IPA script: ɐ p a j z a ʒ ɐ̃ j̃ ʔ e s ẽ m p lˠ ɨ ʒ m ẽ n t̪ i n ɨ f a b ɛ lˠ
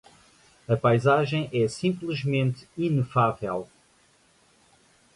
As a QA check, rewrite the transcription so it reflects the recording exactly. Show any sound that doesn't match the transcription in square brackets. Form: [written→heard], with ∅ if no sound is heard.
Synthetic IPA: ɐ p a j z a ʒ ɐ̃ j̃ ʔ [e→ɛ] s [ẽ→ĩ] m p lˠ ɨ ʒ m ẽ n t̪ i n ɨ f a [b→v] ɛ lˠ